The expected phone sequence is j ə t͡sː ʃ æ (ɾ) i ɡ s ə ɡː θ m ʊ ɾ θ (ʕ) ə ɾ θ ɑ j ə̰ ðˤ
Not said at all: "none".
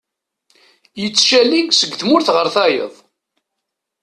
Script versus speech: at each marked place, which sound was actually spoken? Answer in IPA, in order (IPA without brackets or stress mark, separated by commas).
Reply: l, ʁ